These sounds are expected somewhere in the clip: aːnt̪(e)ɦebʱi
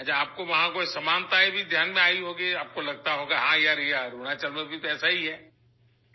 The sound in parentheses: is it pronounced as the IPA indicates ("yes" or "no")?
no